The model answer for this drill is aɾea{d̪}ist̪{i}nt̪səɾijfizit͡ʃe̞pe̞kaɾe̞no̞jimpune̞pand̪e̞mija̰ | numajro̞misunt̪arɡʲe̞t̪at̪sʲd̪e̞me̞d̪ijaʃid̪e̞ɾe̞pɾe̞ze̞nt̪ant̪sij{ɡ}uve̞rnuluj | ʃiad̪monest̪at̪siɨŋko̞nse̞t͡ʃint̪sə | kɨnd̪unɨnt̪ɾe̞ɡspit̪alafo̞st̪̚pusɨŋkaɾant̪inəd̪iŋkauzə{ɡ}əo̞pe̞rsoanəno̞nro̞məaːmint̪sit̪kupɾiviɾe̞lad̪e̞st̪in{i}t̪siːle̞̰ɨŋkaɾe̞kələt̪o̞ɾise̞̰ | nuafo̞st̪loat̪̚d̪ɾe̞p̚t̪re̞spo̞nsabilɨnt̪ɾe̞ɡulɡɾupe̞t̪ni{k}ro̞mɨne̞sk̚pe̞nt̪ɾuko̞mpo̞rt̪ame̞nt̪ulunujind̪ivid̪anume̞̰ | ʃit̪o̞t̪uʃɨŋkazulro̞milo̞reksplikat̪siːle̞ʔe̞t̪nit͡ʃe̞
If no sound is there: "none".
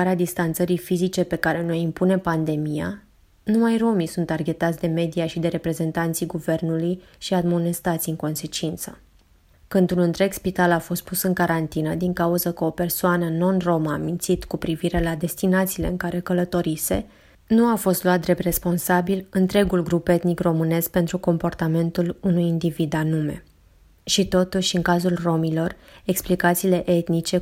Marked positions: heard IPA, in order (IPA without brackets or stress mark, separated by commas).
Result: d̪, a, ɡ, k, a, k